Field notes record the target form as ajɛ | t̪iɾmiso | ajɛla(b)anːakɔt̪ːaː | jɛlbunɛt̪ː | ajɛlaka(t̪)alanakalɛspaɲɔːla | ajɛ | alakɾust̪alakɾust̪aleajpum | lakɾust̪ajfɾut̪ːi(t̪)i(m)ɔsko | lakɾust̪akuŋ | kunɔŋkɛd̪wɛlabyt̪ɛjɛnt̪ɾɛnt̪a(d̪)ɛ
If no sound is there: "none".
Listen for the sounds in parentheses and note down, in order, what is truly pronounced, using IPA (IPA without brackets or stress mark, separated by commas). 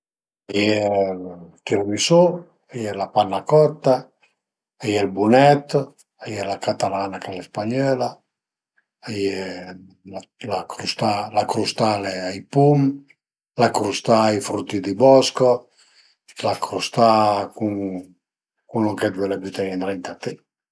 p, t̪, d̪, b, t̪